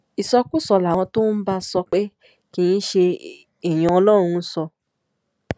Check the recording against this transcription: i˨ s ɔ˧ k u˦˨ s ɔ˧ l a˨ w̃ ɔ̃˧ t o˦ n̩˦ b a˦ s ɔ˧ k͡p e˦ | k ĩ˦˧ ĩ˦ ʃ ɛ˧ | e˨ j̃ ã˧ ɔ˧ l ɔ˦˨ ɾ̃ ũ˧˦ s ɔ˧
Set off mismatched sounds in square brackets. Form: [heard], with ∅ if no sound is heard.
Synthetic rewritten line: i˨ s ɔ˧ k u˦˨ s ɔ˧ l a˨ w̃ ɔ̃˧ t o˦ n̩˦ b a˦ s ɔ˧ k͡p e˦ | k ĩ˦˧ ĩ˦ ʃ [e˧] | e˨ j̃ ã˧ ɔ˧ l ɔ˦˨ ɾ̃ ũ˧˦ s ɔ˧

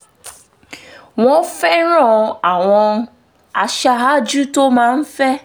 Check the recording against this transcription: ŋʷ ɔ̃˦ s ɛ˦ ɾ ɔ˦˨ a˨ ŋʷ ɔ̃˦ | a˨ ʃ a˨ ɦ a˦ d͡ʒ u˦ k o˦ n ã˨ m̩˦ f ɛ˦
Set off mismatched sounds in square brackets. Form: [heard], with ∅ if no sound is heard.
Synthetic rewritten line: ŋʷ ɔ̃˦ [f] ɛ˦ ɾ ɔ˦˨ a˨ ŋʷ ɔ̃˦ | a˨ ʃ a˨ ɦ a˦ d͡ʒ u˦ [t] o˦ [m] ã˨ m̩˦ f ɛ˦

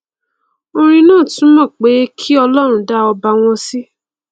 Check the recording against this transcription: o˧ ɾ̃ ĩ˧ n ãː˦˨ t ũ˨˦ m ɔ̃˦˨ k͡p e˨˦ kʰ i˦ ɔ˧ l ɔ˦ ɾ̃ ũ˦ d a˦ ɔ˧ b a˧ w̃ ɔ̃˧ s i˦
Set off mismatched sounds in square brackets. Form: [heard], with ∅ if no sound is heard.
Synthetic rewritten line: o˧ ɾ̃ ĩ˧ n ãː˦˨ t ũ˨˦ m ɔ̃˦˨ k͡p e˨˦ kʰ i˦ ɔ˧ l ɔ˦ ɾ̃ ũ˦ d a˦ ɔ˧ b a˧ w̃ ɔ̃˧ s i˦

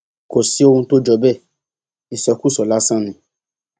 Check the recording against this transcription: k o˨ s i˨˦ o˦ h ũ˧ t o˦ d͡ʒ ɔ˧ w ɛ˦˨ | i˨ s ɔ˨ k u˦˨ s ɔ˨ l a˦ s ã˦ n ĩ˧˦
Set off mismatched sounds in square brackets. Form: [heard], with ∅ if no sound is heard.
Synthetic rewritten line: k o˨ s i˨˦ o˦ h ũ˧ t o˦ d͡ʒ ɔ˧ [b] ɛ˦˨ | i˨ s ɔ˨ k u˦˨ s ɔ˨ l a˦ s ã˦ n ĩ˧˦

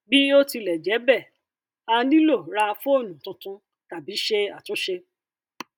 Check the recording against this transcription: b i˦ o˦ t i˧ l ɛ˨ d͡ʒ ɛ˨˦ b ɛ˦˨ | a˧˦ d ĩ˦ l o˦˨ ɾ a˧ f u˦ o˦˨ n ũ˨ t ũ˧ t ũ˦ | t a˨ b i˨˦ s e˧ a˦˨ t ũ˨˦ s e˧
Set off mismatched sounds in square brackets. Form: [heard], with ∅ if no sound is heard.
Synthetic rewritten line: b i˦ o˦ t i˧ l ɛ˨ d͡ʒ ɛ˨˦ b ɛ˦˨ | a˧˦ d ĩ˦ l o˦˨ ɾ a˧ f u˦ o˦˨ n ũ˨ t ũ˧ t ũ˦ | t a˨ b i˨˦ [ʃ] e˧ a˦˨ t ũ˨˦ [ʃ] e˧

